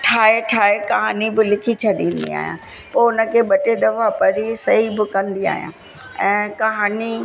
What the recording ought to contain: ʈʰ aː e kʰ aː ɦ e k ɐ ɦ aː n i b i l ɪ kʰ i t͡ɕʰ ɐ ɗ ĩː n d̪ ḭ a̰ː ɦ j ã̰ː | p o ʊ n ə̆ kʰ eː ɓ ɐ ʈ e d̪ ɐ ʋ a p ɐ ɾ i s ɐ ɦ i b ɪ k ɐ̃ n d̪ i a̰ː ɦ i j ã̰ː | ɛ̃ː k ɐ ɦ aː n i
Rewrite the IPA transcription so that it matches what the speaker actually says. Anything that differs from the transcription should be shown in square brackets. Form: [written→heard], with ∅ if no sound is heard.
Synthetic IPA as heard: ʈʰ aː e [kʰ→ʈʰ] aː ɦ e k ɐ ɦ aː n i b [i→ɪ] l ɪ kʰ i t͡ɕʰ ɐ ɗ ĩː n d̪ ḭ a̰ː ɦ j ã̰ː | p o ʊ n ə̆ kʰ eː ɓ ɐ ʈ e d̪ ɐ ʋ a p ɐ ɾ i s ɐ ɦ i b ɪ k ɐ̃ n d̪ i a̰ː ɦ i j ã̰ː | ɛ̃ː k ɐ ɦ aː n i

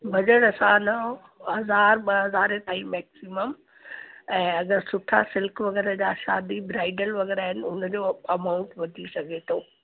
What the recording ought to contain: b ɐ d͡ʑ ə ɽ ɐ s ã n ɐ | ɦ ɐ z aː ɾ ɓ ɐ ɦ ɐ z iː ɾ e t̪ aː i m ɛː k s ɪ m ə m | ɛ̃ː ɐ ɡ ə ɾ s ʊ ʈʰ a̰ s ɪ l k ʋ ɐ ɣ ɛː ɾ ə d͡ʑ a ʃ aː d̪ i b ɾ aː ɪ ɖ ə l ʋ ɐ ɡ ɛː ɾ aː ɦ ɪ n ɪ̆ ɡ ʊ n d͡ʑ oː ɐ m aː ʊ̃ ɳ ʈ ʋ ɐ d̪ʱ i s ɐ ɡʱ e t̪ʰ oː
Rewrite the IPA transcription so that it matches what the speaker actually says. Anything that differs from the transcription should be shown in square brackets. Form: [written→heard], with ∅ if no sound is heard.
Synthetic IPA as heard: b ɐ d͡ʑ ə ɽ ɐ s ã n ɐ | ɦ ɐ z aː ɾ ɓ ɐ ɦ ɐ z [iː→aː] ɾ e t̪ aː i m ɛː k s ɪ m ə m | ɛ̃ː ɐ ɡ ə ɾ s ʊ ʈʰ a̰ s ɪ l k ʋ ɐ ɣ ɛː ɾ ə d͡ʑ a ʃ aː d̪ i b ɾ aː ɪ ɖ ə l ʋ ɐ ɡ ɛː ɾ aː ɦ ɪ n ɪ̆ [ɡ→∅] ʊ n d͡ʑ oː ɐ m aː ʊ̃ ɳ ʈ ʋ ɐ d̪ʱ i s ɐ ɡʱ e t̪ʰ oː

